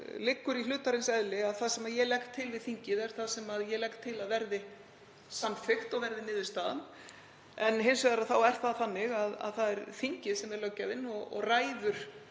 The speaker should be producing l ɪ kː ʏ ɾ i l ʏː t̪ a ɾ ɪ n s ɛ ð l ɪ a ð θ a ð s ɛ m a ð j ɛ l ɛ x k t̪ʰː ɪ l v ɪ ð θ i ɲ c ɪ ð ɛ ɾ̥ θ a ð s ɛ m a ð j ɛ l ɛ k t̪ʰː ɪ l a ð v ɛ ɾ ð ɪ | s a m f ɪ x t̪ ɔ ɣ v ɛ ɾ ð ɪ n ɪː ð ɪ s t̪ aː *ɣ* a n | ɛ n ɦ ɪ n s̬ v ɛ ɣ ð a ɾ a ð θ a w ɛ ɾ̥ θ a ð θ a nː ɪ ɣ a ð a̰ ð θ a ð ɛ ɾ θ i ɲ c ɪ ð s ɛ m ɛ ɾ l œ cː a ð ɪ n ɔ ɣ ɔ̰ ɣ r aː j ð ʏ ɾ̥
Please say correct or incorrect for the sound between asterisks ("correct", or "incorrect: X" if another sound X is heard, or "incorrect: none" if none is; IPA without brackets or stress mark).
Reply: incorrect: ð